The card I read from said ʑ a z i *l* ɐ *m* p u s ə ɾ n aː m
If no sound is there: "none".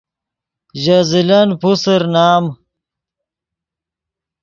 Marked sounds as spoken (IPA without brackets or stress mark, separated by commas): l, n